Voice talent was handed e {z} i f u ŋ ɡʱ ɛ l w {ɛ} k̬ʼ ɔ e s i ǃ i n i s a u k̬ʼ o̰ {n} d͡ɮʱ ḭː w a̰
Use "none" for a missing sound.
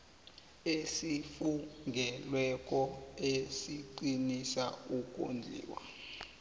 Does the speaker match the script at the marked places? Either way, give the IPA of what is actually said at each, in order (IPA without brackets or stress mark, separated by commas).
s, ɛ, n